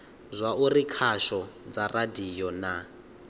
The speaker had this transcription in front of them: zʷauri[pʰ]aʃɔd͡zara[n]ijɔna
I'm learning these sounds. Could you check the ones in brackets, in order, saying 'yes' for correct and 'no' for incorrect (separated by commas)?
no, no